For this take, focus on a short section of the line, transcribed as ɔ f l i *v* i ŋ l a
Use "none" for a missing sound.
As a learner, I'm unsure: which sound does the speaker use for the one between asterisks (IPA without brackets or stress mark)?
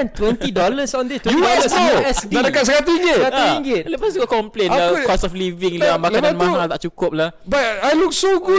v